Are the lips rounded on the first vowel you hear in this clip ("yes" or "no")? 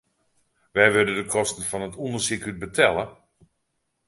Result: no